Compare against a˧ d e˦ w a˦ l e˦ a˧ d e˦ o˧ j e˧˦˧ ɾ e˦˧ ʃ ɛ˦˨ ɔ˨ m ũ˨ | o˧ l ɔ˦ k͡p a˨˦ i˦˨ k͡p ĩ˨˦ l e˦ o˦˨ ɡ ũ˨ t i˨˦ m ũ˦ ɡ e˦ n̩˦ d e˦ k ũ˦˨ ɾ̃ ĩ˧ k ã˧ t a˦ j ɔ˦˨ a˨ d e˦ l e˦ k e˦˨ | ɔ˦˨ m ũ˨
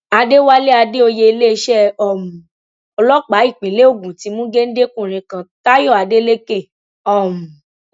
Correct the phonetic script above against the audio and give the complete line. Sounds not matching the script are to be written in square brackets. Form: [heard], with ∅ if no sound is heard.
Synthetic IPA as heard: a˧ d e˦ w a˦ l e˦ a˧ d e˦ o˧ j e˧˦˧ [l] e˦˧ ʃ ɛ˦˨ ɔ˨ m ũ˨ | [ɔ˧] l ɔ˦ k͡p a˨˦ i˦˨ k͡p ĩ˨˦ l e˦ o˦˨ ɡ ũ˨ t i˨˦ m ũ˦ ɡ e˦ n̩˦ d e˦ k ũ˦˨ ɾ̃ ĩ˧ k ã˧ t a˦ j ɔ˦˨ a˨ d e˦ l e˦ k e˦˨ | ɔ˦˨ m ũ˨